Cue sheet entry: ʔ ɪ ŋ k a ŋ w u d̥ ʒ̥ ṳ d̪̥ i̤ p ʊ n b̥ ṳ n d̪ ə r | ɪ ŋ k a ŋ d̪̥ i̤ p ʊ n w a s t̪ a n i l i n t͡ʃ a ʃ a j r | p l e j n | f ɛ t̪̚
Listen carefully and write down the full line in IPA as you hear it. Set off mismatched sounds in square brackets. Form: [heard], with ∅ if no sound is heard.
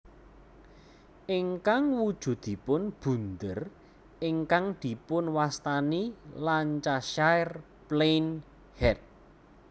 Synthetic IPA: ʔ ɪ ŋ k a ŋ w u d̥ ʒ̥ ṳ d̪̥ i̤ p ʊ n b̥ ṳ n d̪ ə r | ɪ ŋ k a ŋ d̪̥ i̤ p ʊ n w a s t̪ a n i l [a] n t͡ʃ a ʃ a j r | p l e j n | [h] ɛ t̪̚